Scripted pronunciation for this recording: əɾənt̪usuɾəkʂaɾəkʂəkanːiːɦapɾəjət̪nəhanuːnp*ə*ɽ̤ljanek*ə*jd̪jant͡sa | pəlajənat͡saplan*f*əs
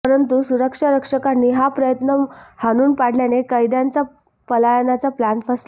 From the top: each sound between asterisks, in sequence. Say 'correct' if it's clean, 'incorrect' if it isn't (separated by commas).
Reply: incorrect, correct, correct